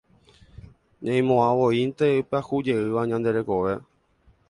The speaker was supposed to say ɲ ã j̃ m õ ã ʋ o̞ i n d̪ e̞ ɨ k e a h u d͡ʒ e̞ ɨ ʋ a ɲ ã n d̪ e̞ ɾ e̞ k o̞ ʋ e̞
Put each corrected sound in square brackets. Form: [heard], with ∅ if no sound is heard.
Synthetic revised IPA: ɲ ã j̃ m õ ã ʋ o̞ i n [t̪] e̞ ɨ [p] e a h u d͡ʒ e̞ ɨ ʋ a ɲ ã n d̪ e̞ ɾ e̞ k o̞ ʋ e̞